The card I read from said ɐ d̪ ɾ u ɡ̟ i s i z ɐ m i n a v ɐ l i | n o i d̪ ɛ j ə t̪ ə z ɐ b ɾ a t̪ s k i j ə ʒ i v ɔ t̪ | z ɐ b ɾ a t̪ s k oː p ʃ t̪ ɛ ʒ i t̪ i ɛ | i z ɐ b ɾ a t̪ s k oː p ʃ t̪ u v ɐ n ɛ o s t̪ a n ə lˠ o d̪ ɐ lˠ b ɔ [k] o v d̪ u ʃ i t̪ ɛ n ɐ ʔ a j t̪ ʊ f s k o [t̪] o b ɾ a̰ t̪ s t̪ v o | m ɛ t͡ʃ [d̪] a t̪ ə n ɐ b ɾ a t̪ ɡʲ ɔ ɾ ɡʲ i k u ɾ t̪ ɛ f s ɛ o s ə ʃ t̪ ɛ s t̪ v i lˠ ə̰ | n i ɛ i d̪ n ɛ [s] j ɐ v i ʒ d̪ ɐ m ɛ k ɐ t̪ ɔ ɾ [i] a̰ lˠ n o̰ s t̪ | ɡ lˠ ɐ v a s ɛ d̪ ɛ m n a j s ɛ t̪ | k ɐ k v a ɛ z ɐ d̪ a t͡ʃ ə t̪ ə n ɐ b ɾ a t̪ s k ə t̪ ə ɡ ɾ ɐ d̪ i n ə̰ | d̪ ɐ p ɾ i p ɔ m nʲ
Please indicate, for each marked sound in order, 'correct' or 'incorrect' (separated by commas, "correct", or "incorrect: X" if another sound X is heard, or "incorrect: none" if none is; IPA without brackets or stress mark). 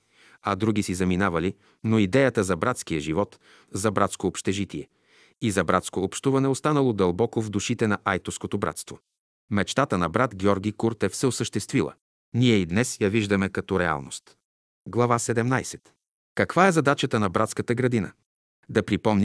correct, correct, incorrect: t̪, correct, incorrect: ɛ